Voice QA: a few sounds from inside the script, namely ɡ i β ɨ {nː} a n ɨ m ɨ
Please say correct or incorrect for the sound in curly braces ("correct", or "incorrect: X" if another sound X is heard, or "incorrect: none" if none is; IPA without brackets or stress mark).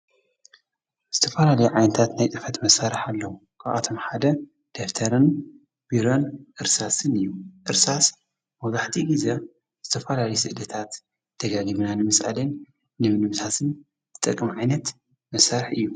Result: incorrect: n